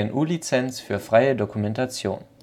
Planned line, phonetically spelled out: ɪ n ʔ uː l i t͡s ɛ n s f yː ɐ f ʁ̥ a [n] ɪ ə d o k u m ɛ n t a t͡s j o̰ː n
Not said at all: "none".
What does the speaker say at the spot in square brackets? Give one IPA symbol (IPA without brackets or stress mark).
none